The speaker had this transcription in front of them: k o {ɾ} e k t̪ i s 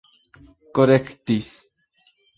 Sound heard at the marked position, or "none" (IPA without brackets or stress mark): ɾ